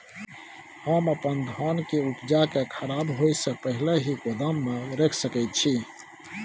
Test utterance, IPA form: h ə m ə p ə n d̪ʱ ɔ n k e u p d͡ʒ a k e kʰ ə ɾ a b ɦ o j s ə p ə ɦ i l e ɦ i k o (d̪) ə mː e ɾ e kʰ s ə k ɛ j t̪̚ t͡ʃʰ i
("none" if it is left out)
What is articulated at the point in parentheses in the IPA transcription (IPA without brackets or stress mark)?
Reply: d̪